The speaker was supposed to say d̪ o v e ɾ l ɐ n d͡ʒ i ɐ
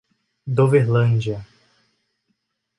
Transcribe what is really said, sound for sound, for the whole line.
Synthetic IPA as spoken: d̪ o v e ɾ l ɐ̃ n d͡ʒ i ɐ

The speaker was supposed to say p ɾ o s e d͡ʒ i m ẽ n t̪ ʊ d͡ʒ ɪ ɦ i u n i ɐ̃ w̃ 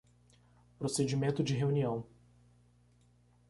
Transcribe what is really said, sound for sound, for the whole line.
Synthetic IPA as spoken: p ɾ o s e d͡ʒ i m ẽ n t̪ ʊ d͡ʒ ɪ ɦ e u n i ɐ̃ w̃

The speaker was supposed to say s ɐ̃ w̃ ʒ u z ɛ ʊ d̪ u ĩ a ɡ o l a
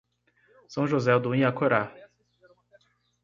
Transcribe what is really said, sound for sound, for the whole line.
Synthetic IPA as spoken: s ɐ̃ w̃ ʒ o z ɛ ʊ d̪ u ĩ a k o ɾ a

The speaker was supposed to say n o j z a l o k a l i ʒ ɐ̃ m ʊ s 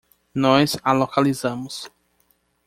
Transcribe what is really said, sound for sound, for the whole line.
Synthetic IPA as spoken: n ɔ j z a l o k a l i z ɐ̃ m ʊ s

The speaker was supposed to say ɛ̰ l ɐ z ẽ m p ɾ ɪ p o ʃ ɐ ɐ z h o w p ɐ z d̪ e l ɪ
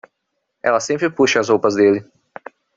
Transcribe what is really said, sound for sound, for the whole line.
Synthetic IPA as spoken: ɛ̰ l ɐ s ẽ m p ɾ ɪ p u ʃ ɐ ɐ z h o w p ɐ z d̪ e l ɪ

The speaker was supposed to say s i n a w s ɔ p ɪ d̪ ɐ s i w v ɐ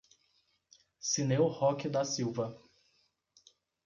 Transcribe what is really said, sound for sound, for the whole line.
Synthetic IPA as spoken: s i n e w h ɔ k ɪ d̪ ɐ s i w v ɐ

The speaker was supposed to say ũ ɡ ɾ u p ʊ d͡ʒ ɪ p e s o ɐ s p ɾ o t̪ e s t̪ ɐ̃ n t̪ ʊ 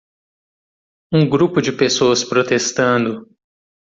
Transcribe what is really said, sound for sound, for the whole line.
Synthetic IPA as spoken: ũ ɡ ɾ u p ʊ d͡ʒ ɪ p e s o ɐ s p ɾ o t̪ e s t̪ ɐ̃ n d̪ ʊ

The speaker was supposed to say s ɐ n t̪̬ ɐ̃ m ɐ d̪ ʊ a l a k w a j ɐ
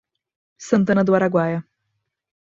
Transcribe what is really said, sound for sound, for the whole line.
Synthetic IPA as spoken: s ɐ̃ n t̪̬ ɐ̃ n ɐ d̪ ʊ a ɾ a ɡ w a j ɐ

